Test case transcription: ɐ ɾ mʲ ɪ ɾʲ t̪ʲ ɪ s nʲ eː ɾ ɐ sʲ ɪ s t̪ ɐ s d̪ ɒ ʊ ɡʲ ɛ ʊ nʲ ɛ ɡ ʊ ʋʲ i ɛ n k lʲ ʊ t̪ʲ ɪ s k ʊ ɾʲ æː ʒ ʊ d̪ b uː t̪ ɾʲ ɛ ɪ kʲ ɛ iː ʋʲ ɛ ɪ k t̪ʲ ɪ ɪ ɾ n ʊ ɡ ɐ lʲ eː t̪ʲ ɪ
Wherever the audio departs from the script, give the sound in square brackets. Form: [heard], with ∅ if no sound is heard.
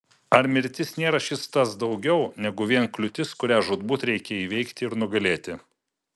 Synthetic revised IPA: ɐ ɾ mʲ ɪ ɾʲ t̪ʲ ɪ s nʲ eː ɾ ɐ [ʃʲ] ɪ s t̪ ɐ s d̪ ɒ ʊ ɡʲ ɛ ʊ nʲ ɛ ɡ ʊ ʋʲ i ɛ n k lʲ ʊ t̪ʲ ɪ s k ʊ ɾʲ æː ʒ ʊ d̪ b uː t̪ ɾʲ ɛ ɪ kʲ ɛ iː ʋʲ ɛ ɪ k t̪ʲ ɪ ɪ ɾ n ʊ ɡ ɐ lʲ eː t̪ʲ ɪ